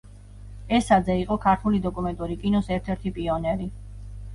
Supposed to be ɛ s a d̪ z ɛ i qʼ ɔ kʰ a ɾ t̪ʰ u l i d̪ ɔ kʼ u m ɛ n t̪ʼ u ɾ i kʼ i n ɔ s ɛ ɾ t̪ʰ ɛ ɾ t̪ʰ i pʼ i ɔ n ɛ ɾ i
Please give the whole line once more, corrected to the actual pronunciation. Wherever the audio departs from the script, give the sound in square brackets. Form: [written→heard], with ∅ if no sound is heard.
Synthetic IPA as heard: ɛ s a d̪ z ɛ i qʼ ɔ kʰ a ɾ t̪ʰ u l i d̪ ɔ kʼ u m ɛ n t̪ʼ u ɾ i kʼ i n ɔ s ɛ ɾ t̪ʰ ɛ ɾ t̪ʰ i pʼ i ɔ n ɛ ɾ i